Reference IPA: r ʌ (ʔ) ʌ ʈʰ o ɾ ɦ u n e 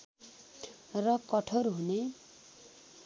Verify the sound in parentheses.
incorrect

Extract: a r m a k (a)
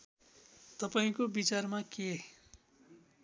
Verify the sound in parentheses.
incorrect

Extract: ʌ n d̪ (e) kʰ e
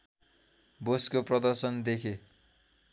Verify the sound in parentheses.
correct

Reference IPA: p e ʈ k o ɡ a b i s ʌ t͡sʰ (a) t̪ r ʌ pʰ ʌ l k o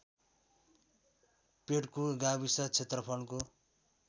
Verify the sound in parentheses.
incorrect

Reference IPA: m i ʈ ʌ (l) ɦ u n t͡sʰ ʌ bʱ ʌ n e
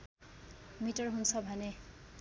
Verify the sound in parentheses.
incorrect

